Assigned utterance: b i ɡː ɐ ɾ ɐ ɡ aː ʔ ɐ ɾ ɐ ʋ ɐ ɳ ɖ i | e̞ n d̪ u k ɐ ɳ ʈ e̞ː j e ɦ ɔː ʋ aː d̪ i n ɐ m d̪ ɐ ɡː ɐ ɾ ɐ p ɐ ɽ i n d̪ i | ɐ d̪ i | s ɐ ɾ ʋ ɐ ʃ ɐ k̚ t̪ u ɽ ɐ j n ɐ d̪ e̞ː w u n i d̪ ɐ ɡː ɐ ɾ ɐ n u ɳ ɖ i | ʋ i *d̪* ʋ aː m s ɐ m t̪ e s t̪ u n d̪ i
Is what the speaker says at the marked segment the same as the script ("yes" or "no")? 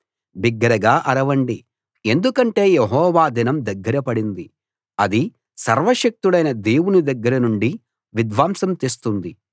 yes